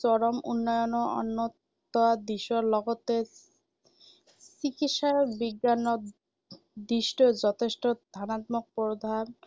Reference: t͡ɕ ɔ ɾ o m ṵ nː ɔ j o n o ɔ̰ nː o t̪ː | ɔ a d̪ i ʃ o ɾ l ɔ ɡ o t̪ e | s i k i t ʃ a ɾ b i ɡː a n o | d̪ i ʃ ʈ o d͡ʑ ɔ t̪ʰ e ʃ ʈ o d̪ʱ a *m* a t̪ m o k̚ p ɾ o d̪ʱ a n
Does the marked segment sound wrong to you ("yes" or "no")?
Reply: yes